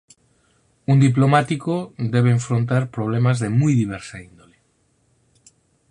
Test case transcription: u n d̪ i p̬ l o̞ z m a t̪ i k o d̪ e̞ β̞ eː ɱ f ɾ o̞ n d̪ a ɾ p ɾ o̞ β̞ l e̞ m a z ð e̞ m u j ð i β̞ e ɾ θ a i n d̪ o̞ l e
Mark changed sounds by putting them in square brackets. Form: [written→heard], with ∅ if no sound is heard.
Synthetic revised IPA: u n d̪ i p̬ l o̞ [z→∅] m a t̪ i k o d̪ e̞ β̞ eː ɱ f ɾ o̞ n [d̪→t̪] a ɾ p ɾ o̞ β̞ l e̞ m a z ð e̞ m u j ð i β̞ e ɾ [θ→s] a i n d̪ o̞ l e